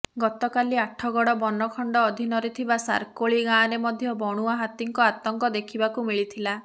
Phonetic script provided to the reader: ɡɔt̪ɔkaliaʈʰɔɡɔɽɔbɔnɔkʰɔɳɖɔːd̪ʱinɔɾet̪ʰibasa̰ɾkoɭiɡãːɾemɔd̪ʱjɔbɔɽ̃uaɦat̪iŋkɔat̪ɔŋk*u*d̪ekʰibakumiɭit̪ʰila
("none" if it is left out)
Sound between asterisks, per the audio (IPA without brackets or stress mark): ɔ